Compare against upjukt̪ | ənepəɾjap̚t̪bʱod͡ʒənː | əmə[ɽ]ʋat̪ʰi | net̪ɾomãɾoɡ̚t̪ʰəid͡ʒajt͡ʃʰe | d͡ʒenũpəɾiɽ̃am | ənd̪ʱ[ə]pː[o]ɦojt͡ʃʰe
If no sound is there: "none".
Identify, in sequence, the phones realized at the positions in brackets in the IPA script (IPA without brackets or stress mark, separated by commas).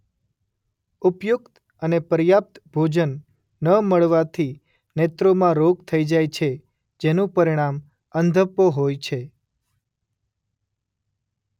ɭ, ə, o